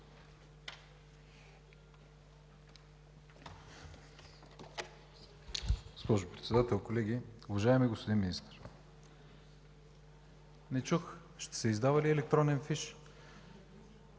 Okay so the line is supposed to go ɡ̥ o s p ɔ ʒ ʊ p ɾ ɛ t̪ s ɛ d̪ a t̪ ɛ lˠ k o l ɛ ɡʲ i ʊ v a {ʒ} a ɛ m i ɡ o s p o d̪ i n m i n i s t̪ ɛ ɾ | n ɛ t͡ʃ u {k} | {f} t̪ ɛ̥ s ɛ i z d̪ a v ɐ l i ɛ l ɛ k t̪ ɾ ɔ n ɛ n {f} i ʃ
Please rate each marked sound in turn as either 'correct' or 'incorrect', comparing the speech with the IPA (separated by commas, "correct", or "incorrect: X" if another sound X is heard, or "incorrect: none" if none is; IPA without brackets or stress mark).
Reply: correct, incorrect: x, incorrect: ʃ, correct